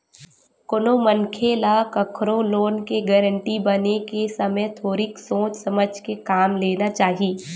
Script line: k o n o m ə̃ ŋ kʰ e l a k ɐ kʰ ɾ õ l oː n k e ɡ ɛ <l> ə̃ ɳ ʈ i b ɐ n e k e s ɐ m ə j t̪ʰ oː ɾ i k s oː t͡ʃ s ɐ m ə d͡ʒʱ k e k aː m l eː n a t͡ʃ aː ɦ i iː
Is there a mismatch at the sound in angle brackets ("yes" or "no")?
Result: yes